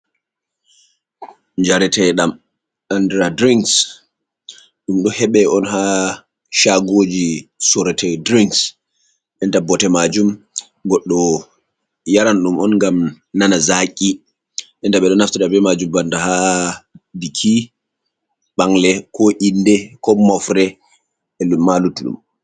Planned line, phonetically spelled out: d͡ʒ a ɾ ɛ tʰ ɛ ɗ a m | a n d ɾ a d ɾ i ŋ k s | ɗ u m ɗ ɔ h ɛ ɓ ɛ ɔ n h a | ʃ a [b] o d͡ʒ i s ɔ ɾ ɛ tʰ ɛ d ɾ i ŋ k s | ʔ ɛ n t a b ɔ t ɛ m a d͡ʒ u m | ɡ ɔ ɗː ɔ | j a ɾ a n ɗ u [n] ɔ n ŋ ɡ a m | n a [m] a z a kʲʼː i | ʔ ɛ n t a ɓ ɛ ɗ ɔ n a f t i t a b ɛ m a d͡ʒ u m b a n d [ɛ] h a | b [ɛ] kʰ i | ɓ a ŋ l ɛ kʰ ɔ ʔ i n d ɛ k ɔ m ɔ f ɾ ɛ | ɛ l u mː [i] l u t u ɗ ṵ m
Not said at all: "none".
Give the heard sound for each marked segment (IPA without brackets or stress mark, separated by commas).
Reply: ɡ, m, n, a, i, a